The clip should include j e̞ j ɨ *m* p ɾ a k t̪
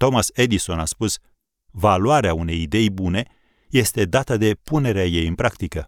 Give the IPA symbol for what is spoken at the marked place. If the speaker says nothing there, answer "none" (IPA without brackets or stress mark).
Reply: n